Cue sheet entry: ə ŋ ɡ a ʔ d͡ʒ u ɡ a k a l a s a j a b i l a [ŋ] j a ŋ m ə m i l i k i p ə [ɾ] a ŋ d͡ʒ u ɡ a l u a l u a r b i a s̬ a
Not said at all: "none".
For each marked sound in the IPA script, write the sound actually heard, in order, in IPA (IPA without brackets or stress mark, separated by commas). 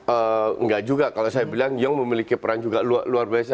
ŋ, ɾ